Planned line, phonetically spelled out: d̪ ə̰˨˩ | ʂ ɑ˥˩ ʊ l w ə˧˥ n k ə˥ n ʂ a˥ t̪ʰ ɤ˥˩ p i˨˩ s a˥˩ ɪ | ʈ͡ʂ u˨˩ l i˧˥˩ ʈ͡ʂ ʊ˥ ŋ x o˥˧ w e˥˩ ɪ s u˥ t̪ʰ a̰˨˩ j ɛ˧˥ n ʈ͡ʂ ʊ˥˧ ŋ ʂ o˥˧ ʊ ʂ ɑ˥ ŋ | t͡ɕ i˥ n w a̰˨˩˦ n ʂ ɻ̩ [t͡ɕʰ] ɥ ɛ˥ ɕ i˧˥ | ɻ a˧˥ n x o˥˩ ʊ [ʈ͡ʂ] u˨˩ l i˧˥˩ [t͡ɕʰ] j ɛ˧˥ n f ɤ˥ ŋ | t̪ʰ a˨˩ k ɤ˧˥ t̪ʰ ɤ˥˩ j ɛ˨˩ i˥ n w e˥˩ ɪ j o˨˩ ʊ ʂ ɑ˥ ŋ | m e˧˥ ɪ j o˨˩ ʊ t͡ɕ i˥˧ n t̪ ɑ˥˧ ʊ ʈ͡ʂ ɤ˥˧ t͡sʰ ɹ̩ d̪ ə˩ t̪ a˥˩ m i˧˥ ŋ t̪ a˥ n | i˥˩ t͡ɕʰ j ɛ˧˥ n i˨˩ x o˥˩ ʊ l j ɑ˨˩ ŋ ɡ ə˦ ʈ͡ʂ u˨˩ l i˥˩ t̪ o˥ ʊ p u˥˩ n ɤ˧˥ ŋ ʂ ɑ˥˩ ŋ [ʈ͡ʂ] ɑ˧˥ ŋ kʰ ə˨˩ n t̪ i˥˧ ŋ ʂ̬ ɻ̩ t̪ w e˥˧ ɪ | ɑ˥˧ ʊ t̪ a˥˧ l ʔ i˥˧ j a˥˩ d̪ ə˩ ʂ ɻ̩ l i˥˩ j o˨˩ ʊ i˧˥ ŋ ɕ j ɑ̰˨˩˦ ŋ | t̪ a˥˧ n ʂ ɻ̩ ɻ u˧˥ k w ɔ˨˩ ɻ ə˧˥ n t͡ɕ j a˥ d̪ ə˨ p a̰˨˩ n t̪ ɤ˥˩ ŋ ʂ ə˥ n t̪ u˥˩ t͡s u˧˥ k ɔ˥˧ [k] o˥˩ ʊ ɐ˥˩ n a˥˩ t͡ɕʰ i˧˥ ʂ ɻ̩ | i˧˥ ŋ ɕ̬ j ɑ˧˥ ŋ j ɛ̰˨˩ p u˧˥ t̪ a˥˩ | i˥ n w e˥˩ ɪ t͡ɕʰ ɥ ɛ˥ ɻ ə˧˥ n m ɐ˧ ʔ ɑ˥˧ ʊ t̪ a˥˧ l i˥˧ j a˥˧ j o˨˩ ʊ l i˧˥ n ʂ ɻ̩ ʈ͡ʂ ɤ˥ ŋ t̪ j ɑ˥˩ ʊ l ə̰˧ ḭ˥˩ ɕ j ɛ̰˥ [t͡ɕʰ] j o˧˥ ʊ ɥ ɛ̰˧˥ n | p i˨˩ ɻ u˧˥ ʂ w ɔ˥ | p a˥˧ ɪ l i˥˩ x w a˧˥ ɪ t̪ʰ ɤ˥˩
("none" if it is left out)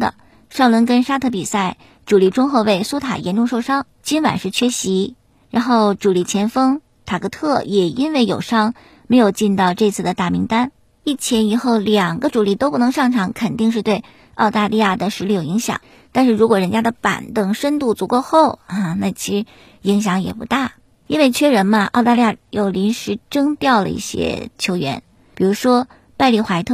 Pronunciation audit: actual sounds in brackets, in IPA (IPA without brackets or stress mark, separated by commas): t͡ɕʰ, ʈ͡ʂ, t͡ɕʰ, ʈ͡ʂʰ, x, t͡ɕʰ